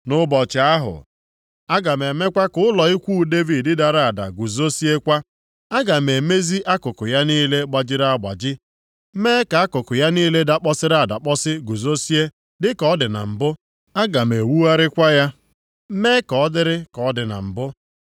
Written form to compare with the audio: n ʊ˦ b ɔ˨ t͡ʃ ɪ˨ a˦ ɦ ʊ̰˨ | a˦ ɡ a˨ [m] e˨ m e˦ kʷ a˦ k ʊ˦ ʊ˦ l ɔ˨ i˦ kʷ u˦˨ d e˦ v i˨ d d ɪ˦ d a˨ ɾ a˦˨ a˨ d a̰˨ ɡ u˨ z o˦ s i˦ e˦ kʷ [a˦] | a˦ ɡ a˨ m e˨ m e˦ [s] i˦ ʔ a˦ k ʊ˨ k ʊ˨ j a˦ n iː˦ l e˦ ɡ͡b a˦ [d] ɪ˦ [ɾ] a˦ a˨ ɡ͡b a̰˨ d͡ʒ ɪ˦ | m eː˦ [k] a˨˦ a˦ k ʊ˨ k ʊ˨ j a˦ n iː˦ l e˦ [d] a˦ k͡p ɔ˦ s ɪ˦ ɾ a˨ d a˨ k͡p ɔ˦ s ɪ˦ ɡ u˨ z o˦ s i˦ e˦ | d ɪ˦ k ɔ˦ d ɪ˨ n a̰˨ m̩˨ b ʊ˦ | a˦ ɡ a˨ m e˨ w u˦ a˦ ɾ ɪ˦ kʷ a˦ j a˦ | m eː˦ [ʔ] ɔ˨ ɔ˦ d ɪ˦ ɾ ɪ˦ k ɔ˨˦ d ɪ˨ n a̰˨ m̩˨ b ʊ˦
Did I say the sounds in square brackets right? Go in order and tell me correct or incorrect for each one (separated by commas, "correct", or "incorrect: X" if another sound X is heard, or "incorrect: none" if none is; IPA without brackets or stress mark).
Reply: correct, correct, incorrect: z, incorrect: d͡ʒ, correct, correct, correct, incorrect: k